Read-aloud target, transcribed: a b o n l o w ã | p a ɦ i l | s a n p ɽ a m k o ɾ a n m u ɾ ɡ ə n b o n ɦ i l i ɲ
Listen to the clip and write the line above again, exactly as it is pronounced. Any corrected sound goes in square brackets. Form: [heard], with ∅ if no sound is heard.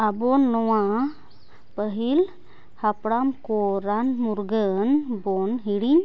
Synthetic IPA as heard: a b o n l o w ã | p [ə] ɦ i l | [h] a [∅] p ɽ a m k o ɾ a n m u ɾ ɡ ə n b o n ɦ i [ɽ] i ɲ